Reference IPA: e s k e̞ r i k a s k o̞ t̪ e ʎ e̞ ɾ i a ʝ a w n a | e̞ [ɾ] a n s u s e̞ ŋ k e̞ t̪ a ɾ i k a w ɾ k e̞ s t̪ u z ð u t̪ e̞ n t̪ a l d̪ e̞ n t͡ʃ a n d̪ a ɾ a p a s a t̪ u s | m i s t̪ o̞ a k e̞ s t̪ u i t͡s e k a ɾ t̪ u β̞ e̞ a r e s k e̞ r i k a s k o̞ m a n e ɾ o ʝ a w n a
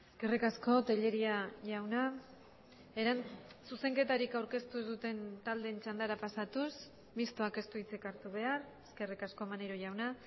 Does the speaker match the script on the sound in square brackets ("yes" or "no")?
yes